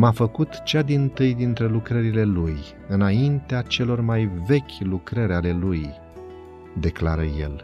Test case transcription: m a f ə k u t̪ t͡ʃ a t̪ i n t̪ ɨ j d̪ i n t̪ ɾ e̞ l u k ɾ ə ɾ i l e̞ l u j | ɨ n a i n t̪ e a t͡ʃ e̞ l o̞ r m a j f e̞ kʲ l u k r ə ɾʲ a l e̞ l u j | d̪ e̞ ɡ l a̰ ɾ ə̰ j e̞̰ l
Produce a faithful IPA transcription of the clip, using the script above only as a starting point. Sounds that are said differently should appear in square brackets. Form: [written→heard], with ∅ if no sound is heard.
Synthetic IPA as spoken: m a f ə k u t̪ t͡ʃ a [t̪→d̪] i n t̪ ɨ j d̪ i n t̪ ɾ e̞ l u k ɾ ə ɾ i l e̞ l u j | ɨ n a i n t̪ e a t͡ʃ e̞ l o̞ r m a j [f→v] e̞ kʲ l u k [r→ɾ] ə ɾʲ a l e̞ l u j | d̪ e̞ [ɡ→k] l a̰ ɾ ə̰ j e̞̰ l